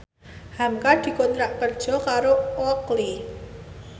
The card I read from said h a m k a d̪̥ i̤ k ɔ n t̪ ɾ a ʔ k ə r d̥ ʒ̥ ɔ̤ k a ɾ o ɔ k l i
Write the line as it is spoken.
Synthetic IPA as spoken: h a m k a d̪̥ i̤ k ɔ n t̪ ɾ a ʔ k ə r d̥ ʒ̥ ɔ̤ k a ɾ o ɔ k l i